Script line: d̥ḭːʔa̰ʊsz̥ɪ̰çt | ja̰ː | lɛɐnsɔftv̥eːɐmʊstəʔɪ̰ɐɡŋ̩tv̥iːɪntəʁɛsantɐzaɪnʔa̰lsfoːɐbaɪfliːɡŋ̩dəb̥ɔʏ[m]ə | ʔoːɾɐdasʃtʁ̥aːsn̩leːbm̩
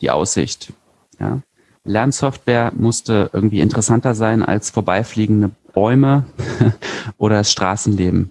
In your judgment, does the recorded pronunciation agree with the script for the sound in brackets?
yes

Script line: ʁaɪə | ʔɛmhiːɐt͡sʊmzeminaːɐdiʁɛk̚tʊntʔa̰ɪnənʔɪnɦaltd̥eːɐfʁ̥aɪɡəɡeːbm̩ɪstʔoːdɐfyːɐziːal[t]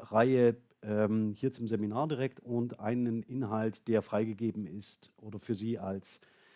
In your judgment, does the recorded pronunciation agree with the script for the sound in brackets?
no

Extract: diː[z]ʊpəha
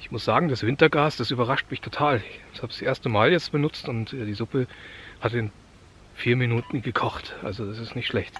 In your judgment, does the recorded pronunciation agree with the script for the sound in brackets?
yes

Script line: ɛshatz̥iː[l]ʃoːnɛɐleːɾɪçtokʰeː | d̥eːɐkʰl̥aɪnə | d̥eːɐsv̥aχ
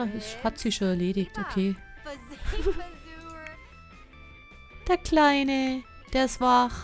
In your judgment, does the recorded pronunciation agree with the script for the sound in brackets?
no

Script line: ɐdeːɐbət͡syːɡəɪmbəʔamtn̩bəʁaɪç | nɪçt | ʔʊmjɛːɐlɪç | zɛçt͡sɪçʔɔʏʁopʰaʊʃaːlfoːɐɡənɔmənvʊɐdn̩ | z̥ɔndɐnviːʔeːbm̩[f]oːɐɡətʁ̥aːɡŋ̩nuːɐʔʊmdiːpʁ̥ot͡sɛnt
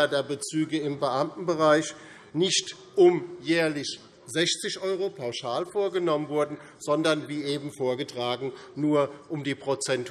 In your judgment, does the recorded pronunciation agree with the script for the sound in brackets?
yes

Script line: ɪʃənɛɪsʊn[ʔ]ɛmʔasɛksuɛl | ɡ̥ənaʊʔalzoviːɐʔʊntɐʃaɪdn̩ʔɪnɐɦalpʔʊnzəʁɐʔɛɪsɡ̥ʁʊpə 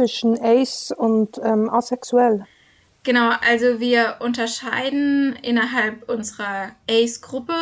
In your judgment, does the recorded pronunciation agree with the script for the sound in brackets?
no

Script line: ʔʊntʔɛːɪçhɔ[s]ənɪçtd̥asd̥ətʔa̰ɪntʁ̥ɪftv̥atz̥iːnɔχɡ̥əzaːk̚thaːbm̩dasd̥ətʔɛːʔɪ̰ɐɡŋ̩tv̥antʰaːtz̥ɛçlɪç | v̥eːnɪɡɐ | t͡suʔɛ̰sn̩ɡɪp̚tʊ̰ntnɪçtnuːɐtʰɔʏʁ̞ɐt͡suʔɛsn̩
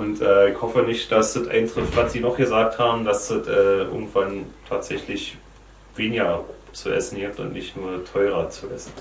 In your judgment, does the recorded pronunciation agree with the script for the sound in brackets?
no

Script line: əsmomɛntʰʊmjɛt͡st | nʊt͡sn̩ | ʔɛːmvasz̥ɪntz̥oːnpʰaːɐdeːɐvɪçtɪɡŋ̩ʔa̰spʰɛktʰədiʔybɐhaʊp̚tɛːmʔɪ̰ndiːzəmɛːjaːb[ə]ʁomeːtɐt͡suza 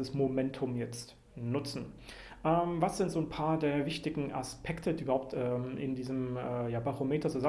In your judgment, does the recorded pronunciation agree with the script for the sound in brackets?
no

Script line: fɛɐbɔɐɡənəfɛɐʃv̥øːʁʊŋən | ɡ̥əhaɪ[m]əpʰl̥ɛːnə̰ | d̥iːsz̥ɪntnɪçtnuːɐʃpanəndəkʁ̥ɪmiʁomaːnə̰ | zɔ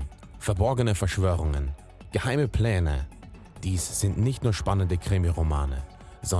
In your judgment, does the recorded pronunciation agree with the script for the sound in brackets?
yes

